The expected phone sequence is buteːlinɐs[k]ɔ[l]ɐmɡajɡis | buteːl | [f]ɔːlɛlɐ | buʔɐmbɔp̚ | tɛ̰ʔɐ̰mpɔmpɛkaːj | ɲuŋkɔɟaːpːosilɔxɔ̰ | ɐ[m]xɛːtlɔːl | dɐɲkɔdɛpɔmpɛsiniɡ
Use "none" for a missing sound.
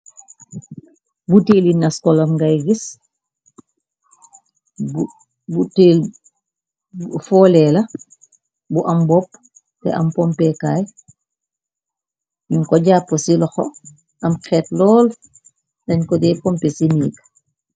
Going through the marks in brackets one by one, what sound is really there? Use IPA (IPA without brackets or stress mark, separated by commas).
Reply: k, l, f, m